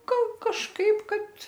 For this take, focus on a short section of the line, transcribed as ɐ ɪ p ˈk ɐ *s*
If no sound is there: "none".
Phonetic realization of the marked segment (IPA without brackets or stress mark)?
t